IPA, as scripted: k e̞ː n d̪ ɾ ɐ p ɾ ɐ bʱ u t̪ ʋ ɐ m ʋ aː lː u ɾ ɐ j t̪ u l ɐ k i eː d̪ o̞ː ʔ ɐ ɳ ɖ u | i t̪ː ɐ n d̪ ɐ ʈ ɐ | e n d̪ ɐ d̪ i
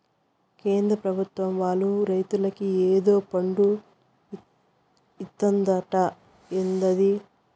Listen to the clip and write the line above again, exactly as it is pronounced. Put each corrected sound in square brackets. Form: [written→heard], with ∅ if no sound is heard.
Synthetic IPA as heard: k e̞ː n d̪ ɾ ɐ p ɾ ɐ bʱ u t̪ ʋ ɐ m ʋ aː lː u ɾ ɐ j t̪ u l ɐ k i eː d̪ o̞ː [ʔ→p] ɐ ɳ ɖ u | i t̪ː ɐ n d̪ ɐ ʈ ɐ | e n d̪ ɐ d̪ i

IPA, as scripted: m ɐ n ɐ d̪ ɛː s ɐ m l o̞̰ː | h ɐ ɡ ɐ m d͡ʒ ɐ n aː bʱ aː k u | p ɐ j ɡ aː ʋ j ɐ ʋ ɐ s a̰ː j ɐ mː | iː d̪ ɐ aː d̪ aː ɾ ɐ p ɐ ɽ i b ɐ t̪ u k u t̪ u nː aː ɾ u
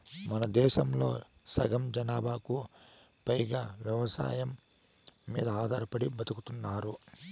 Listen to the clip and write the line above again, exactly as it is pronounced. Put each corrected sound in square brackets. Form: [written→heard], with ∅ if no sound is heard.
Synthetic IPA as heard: m ɐ n ɐ d̪ ɛː [s→ʃ] ɐ m l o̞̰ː | [h→s] ɐ ɡ ɐ m d͡ʒ ɐ n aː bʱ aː k u | p ɐ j ɡ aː ʋ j ɐ ʋ ɐ s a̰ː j ɐ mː | iː d̪ ɐ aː d̪ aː ɾ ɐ p ɐ ɽ i b ɐ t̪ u k u t̪ u nː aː ɾ u

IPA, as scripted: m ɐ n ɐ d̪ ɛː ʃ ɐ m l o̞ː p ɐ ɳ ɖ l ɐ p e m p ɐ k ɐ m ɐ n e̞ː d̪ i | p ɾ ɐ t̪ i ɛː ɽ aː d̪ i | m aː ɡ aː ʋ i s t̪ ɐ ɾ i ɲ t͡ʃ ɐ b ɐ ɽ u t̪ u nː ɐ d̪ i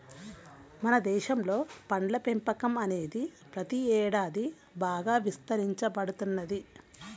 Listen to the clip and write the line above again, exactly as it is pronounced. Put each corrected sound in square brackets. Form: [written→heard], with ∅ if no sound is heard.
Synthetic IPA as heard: m ɐ n ɐ d̪ ɛː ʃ ɐ m l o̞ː p ɐ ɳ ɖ l ɐ p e m p ɐ k ɐ m ɐ n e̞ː d̪ i | p ɾ ɐ t̪ i ɛː ɽ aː d̪ i | [m→b] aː ɡ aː ʋ i s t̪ ɐ ɾ i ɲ t͡ʃ ɐ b ɐ ɽ u t̪ u nː ɐ d̪ i

